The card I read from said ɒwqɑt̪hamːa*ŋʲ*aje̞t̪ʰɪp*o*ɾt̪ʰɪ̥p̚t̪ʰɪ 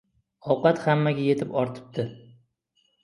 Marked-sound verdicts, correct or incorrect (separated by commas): incorrect, incorrect